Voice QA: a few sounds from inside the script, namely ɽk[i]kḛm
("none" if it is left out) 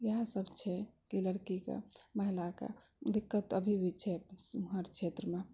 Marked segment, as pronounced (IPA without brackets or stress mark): i